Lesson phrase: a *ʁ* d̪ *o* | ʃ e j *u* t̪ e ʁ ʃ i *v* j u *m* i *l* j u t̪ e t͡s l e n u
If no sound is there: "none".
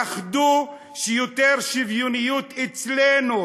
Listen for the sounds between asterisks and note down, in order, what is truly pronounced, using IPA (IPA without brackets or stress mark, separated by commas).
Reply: χ, u, o, v, n, none